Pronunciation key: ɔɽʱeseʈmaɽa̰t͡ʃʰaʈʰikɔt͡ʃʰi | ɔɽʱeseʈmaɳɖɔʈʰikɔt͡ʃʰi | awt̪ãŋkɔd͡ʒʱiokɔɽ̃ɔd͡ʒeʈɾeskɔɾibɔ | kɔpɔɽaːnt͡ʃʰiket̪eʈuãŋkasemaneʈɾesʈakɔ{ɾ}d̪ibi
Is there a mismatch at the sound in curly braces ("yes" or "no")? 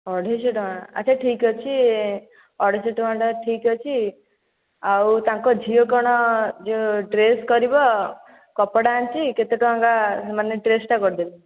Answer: no